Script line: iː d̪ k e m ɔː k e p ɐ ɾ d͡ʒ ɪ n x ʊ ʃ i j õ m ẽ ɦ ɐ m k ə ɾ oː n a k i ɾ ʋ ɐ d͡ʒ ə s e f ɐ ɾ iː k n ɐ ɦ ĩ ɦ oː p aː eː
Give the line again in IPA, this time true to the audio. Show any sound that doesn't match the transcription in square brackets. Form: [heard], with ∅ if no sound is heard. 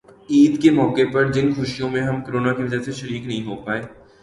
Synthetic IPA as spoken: iː d̪ k e m ɔː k e p ɐ ɾ d͡ʒ ɪ n x ʊ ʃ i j õ m ẽ ɦ ɐ m k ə ɾ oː n a k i [∅] ʋ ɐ d͡ʒ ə s e [ʃ] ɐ ɾ iː k n ɐ ɦ ĩ ɦ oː p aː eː